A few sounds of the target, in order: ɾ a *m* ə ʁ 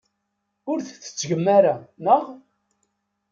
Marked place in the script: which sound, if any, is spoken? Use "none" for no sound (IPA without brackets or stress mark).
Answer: n